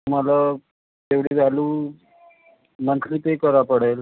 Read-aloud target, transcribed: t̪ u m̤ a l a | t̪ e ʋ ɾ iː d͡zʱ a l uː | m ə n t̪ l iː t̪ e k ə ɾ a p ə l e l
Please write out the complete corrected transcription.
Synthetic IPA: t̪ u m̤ a l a | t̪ e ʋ ɽ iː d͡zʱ a l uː | m ə n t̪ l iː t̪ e k ə ɾ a p ə ɽ e l